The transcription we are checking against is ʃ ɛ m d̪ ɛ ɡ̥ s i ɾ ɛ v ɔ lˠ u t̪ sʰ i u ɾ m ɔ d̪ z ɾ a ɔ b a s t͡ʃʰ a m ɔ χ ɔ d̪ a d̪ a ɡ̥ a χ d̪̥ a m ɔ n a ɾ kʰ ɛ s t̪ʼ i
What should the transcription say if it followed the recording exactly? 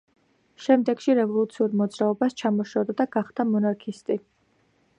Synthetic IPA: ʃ ɛ m d̪ ɛ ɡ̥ ʃ i ɾ ɛ v ɔ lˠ u t̪ sʰ i u ɾ m ɔ d̪ z ɾ a ɔ b a s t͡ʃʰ a m ɔ ʃ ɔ d̪ a d̪ a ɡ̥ a χ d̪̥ a m ɔ n a ɾ kʰ i s t̪ʼ i